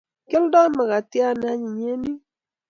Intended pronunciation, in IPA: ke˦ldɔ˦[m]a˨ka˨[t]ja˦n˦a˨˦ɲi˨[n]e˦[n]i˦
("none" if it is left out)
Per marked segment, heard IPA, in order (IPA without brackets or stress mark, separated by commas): m, t, ɲ, n